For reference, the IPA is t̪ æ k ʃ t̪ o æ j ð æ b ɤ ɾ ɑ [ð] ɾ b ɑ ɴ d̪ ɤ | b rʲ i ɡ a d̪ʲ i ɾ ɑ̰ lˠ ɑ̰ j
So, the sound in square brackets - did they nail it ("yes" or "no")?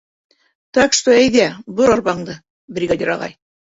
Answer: no